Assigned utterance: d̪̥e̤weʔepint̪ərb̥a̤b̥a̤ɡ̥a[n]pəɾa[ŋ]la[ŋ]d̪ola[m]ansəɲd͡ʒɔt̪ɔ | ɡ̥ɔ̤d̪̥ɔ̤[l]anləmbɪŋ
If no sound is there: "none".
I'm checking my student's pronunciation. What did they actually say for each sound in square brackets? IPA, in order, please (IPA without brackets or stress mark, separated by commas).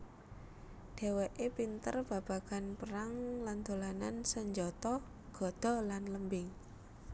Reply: n, ŋ, n, n, l